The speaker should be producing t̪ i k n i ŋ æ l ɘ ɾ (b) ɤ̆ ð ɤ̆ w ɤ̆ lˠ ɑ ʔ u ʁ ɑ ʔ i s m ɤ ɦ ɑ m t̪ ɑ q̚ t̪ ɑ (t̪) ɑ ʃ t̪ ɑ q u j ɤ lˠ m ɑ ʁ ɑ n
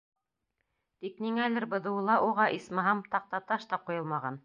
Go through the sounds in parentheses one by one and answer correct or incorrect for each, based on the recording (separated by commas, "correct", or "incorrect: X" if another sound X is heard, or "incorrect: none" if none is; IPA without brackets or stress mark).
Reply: correct, correct